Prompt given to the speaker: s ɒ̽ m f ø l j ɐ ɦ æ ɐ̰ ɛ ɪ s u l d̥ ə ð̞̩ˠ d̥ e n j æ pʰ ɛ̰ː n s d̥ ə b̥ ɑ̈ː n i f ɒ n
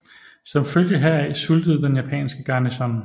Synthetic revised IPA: s ɒ̽ m f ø l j ə ɦ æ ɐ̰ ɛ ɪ s u l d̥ ə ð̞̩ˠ d̥ e n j æ pʰ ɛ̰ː n s ɡ̥ ə ɡ̥ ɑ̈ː n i s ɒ n